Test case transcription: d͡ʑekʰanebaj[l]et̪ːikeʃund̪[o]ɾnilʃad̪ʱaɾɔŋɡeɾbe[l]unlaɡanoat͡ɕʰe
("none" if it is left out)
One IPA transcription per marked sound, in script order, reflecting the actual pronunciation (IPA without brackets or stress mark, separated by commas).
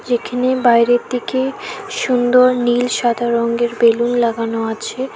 ɾ, o, l